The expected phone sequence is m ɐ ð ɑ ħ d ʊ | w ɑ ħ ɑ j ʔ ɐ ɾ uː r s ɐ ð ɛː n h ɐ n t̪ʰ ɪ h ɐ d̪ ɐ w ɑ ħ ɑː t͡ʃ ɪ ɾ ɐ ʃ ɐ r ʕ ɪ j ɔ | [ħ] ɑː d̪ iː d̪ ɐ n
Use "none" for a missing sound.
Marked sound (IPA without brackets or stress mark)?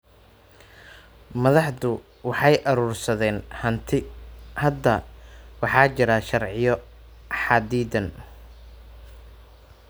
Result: ħ